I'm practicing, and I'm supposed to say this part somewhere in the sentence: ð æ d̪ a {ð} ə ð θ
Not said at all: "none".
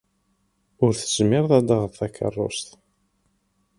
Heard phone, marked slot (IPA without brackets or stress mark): ʁ